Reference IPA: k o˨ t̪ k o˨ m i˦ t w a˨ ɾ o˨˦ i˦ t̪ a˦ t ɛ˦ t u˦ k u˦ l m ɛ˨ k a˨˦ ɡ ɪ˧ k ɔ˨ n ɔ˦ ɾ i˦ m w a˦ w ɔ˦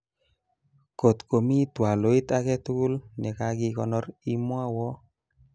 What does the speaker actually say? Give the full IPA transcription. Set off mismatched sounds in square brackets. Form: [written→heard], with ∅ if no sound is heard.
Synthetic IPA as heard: k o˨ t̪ k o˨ m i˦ t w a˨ [ɾ→l] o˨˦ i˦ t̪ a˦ [t→k] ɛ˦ t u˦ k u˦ l [m→n] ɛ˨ k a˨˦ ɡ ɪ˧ k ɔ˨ n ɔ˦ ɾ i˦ m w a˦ w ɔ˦

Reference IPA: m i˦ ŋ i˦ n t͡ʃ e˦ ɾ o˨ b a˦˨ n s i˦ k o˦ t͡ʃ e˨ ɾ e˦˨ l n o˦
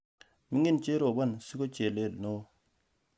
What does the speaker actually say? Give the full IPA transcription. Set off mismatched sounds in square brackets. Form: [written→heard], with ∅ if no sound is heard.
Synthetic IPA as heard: m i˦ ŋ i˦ n t͡ʃ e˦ ɾ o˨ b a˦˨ n s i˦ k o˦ t͡ʃ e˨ [ɾ→l] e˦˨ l n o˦

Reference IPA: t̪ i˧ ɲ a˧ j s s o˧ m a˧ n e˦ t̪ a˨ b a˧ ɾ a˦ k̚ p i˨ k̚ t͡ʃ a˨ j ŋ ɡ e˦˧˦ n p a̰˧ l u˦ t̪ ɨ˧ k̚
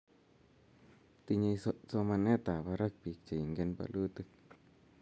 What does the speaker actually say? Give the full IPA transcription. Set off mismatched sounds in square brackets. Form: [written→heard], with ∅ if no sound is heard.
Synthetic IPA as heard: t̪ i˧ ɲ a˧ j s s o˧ m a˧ n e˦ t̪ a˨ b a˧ ɾ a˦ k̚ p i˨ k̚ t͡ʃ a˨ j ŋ ɡ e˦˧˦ n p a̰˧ l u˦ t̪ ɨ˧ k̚

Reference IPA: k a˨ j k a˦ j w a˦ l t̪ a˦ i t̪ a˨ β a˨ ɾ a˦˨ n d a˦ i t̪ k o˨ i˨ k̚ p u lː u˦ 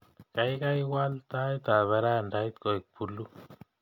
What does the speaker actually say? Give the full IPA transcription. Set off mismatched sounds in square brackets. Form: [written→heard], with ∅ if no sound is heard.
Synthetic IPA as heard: k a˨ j k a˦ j w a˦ l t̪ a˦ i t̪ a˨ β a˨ ɾ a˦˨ n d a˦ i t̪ k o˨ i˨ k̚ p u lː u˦

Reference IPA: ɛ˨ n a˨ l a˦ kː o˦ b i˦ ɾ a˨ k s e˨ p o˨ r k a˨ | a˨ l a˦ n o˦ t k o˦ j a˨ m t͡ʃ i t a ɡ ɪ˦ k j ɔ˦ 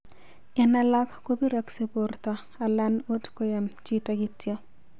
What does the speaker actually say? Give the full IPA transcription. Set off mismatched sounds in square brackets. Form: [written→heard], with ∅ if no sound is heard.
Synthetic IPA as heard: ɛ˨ n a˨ l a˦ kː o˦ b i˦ ɾ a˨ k s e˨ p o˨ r [k→t] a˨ | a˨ l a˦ n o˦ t k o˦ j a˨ m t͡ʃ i t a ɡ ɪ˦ [k→t] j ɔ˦

